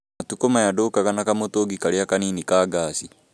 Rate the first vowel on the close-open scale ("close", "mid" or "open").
open